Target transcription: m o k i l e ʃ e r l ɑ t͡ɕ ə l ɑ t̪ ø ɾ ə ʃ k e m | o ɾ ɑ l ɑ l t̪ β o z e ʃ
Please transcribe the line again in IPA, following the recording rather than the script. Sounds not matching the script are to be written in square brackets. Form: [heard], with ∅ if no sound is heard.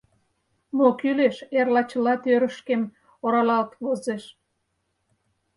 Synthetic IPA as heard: m o k [y] l e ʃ e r l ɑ t͡ɕ ə l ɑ t̪ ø ɾ ə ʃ k e m | o ɾ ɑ l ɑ l t̪ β o z e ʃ